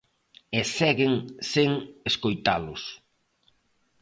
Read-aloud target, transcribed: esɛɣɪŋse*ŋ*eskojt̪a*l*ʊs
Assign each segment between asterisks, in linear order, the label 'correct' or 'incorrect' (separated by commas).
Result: correct, correct